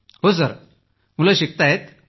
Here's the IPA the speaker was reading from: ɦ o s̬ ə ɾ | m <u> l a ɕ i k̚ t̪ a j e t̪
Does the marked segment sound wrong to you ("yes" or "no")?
no